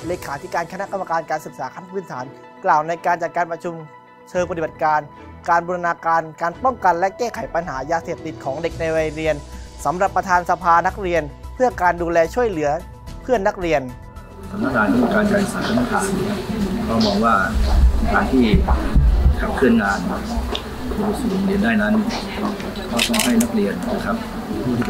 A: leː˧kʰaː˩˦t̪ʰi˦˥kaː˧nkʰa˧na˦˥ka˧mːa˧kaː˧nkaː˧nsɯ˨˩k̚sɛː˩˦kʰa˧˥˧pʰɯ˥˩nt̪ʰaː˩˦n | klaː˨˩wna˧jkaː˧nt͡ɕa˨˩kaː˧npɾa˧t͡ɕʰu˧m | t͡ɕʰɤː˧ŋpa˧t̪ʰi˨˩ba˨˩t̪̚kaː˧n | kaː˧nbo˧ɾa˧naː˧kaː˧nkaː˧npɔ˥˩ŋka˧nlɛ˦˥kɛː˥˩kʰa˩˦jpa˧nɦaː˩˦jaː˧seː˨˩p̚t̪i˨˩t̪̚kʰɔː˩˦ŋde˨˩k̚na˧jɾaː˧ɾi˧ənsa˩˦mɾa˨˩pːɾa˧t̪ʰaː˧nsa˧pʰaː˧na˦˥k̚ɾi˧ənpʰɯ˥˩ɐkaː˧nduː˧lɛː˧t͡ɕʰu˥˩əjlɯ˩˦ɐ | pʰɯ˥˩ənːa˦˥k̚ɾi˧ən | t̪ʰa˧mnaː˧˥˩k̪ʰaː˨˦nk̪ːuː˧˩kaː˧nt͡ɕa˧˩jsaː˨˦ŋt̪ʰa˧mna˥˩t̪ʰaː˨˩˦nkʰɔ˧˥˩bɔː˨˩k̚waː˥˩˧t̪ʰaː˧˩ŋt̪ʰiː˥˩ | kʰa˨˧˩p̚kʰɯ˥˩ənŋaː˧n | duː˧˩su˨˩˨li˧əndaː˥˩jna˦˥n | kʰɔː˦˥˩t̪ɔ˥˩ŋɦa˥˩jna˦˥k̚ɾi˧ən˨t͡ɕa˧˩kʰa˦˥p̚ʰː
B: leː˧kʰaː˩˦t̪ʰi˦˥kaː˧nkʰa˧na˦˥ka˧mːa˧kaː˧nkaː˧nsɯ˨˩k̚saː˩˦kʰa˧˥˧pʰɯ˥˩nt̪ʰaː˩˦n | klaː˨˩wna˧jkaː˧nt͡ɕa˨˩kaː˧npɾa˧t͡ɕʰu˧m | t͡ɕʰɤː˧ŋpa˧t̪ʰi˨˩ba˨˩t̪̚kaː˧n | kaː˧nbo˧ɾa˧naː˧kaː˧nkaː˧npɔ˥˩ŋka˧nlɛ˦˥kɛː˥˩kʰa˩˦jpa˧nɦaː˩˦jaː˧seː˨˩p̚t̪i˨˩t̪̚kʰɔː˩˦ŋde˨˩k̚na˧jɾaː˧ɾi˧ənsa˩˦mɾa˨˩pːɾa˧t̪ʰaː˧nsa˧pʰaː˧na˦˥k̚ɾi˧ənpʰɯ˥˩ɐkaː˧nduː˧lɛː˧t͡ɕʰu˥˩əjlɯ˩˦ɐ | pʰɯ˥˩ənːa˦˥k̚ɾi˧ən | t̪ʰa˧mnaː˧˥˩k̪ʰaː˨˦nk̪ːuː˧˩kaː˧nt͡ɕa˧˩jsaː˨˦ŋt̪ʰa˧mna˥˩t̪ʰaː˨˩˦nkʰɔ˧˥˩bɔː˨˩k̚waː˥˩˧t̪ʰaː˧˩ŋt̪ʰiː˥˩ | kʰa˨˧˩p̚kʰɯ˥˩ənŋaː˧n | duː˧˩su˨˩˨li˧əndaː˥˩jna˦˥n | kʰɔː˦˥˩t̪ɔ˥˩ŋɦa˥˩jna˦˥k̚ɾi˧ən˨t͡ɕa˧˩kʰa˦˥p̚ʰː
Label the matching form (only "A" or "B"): B